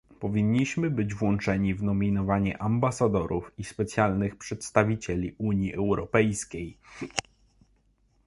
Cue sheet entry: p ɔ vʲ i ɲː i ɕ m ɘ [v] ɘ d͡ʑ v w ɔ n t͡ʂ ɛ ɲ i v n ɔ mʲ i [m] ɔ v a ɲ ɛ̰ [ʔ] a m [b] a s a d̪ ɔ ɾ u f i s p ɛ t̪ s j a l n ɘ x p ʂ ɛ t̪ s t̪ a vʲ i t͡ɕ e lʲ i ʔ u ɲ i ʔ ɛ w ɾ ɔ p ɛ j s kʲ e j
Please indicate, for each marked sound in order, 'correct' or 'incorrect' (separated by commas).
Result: incorrect, incorrect, correct, correct